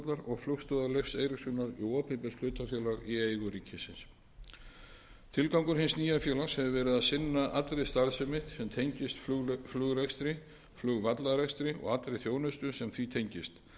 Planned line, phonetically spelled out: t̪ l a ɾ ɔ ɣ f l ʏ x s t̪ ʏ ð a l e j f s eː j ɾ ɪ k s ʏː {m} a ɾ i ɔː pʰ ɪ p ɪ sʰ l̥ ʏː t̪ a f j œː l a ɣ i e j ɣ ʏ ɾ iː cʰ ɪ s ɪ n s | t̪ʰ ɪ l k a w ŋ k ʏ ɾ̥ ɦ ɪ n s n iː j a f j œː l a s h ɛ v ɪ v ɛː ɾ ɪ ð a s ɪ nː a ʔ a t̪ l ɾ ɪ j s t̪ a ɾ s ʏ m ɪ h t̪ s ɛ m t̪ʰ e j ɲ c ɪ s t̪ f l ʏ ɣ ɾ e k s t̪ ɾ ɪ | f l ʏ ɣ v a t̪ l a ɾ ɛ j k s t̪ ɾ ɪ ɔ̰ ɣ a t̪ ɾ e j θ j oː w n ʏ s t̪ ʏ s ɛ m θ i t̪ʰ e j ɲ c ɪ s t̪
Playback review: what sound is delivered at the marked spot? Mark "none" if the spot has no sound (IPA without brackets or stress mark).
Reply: n